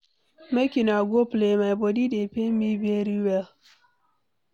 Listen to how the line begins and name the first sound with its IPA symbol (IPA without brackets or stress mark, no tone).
m